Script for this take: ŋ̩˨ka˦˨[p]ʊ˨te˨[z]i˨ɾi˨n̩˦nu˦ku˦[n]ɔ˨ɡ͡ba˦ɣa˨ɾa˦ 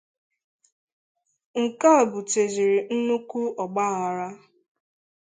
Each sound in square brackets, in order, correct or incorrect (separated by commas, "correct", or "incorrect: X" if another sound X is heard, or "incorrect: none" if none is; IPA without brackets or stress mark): incorrect: b, correct, incorrect: none